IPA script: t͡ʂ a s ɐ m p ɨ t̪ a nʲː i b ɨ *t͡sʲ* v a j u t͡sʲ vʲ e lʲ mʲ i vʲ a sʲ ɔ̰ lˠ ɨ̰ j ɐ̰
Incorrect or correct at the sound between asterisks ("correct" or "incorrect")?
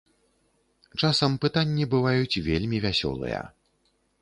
incorrect